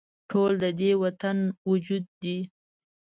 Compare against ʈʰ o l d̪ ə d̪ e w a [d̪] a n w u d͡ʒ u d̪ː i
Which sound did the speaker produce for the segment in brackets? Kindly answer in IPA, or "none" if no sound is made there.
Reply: t̪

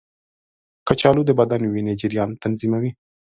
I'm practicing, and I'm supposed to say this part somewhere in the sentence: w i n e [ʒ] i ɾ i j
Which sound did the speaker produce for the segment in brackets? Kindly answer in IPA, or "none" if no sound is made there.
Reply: d͡ʒ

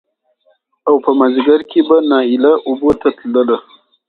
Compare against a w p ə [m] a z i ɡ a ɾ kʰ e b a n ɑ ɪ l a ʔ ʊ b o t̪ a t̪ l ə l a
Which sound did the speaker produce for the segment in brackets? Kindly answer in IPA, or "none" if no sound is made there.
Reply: m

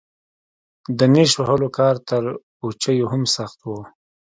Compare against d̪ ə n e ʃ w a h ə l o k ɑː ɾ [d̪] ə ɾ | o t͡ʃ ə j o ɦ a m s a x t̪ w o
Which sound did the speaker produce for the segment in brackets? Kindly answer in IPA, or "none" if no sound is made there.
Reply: t̪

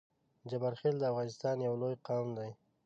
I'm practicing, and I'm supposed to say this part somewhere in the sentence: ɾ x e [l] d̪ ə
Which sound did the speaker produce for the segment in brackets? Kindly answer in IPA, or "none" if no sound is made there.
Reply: l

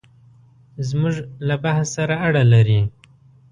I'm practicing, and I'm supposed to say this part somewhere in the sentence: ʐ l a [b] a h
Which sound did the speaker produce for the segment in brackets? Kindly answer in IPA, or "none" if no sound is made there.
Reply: b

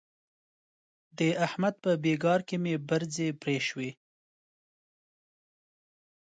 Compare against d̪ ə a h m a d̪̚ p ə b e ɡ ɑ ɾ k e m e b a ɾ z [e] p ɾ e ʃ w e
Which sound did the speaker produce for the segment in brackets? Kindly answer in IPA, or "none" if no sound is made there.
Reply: e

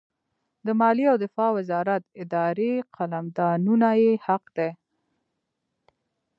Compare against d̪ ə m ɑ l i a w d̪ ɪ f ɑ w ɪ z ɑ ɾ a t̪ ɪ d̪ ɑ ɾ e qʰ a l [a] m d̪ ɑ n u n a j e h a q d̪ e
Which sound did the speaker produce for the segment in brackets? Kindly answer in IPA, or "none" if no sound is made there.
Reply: a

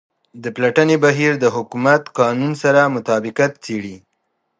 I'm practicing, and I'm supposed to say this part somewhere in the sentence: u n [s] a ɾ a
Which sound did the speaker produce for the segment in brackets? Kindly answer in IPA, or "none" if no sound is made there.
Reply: s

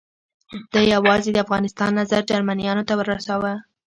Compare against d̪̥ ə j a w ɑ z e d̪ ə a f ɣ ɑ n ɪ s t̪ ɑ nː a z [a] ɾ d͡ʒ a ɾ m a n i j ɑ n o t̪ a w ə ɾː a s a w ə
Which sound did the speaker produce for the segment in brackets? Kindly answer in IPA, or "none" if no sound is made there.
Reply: a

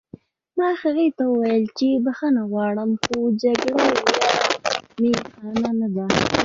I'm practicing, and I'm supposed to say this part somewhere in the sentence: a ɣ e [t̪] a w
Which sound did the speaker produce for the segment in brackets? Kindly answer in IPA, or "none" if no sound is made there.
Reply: t̪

